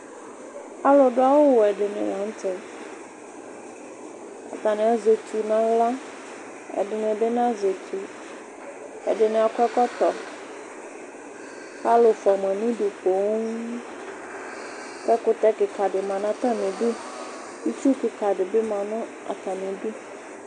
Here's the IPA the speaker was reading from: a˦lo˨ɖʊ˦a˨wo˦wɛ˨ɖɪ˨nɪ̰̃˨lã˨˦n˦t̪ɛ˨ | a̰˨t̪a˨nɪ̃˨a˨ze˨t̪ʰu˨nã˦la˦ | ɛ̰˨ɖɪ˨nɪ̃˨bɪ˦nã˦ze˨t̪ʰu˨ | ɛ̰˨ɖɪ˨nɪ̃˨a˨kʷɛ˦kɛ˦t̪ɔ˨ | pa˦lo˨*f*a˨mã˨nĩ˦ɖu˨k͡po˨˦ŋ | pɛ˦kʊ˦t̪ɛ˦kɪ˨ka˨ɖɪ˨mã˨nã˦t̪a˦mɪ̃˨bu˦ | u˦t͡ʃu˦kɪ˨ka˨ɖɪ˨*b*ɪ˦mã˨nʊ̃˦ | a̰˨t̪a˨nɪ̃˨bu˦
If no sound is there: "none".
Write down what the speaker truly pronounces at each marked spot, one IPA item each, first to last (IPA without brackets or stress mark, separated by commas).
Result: f, b